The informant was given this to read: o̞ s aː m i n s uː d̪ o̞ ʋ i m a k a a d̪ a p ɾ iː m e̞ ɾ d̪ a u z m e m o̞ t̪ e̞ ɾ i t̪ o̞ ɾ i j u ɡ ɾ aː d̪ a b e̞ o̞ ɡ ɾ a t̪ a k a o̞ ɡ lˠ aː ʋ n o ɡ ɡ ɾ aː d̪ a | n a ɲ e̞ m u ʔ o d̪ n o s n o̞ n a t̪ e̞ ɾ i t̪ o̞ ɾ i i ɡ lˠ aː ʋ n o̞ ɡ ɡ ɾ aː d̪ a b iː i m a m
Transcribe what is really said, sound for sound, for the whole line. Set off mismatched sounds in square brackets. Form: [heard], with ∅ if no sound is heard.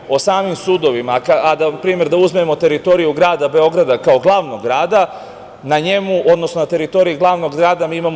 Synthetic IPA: o̞ s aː m i [m] s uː d̪ o̞ ʋ i m a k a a d̪ a p ɾ iː m e̞ ɾ d̪ a u z m e m o̞ t̪ e̞ ɾ i t̪ o̞ ɾ i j u ɡ ɾ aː d̪ a b e̞ o̞ ɡ ɾ a [d̪] a k a o̞ ɡ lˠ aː ʋ n o ɡ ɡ ɾ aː d̪ a | n a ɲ e̞ m u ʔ o d̪ n o s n o̞ n a t̪ e̞ ɾ i t̪ o̞ ɾ i i ɡ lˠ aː ʋ n o̞ ɡ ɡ ɾ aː d̪ a [m] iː i m a m